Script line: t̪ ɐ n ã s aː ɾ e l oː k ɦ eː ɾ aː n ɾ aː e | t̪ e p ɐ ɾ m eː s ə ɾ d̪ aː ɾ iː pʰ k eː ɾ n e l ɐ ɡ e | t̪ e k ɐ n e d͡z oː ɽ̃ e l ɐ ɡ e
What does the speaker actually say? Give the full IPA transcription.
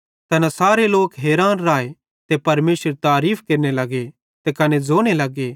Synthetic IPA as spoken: t̪ ɐ n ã s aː ɾ e l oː k ɦ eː ɾ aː n ɾ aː e | t̪ e p ɐ ɾ m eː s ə ɾ t̪ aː ɾ iː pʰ k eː ɾ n e l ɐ ɡ e | t̪ e k ɐ n e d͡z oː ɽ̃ e l ɐ ɡ e

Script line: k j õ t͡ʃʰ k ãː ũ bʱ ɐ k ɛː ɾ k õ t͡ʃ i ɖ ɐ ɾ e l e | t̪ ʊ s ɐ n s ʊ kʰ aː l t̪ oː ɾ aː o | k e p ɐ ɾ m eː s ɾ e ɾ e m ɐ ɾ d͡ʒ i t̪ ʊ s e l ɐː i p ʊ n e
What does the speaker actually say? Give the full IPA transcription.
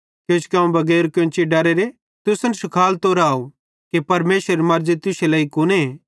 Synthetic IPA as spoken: k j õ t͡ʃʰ k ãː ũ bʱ ɐ ɡ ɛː ɾ k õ t͡ʃ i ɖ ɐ ɾ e ɾ e | t̪ ʊ s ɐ n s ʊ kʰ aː l t̪ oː ɾ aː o | k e p ɐ ɾ m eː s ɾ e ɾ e m ɐ ɾ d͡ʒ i t̪ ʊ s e l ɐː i k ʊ n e

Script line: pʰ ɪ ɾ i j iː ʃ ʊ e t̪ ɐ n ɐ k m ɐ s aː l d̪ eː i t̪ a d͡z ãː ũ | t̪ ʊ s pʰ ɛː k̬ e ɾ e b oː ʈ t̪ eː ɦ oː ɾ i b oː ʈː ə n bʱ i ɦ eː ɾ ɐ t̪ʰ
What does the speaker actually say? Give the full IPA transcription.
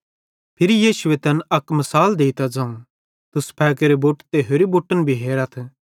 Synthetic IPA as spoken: pʰ ɪ ɾ i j iː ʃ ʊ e t̪ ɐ n ɐ k m ɐ s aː l d̪ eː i t̪ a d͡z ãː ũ | t̪ ʊ s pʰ ɛː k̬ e ɾ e b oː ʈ t̪ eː ɦ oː ɾ i b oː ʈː ə n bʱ i ɦ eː ɾ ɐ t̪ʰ

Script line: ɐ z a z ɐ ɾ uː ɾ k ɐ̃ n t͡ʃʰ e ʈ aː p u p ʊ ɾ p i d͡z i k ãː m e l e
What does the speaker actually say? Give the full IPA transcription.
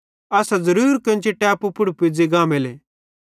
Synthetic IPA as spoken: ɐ s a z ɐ ɾ uː ɾ k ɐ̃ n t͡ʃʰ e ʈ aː p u p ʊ ɽ p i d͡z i ɡ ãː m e l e

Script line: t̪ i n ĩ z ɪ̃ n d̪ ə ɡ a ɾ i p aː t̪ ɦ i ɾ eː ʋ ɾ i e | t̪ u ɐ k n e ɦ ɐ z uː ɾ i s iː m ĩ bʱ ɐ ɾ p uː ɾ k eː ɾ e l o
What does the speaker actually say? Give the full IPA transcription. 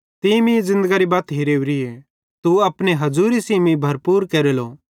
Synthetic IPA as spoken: t̪ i m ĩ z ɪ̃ n d̪ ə ɡ a ɾ i b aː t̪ ɦ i ɾ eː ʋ ɾ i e | t̪ u ɐ p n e ɦ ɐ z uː ɾ i s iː m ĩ bʱ ɐ ɾ p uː ɾ k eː ɾ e l o

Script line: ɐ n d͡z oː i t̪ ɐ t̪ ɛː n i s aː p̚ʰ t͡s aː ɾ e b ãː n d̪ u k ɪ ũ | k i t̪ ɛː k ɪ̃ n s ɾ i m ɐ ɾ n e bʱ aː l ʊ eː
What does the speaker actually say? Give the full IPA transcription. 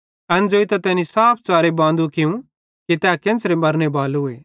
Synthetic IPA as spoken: ɐ n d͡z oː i t̪ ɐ t̪ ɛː n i s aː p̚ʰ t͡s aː ɾ e b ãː n d̪ u k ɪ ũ | k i t̪ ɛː k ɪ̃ n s ɾ e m ɐ ɾ n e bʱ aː l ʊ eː

